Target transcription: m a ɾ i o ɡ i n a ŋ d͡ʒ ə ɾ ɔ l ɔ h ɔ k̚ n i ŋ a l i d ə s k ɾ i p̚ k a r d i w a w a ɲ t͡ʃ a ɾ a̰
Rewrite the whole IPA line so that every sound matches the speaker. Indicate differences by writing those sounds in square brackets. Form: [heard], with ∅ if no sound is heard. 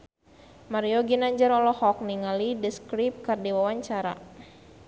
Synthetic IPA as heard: m a ɾ i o ɡ i n a [ɲ] d͡ʒ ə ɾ ɔ l ɔ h ɔ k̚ n i ŋ a l i d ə s k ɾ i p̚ k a r d i w a w a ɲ t͡ʃ a ɾ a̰